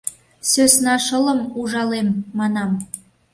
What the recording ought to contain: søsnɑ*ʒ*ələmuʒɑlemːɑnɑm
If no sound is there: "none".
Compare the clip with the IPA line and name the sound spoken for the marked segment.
ʃ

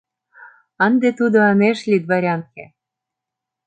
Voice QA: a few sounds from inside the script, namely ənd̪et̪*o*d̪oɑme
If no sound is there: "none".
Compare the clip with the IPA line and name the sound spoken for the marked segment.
u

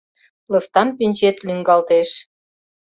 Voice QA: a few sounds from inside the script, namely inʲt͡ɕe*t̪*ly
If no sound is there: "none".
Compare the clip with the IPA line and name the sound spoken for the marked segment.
t̪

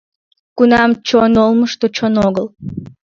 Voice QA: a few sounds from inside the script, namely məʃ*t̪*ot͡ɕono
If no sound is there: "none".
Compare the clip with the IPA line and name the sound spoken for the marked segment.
t̪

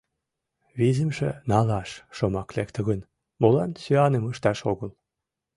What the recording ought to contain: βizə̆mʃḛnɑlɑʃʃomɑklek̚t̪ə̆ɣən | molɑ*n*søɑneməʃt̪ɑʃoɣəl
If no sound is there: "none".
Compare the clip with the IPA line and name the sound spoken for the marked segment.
n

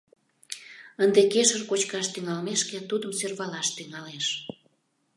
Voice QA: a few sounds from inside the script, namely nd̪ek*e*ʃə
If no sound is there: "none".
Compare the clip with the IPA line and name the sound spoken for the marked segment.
e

